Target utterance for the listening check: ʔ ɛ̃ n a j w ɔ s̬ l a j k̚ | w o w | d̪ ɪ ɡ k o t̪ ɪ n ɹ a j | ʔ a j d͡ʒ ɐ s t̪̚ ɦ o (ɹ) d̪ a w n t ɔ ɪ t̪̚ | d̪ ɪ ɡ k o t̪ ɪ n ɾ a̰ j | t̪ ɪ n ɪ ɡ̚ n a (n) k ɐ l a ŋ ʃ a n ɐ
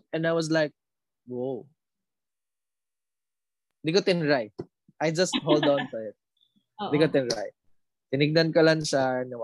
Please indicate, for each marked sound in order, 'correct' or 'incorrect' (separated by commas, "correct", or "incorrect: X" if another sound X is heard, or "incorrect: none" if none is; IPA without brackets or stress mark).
incorrect: l, correct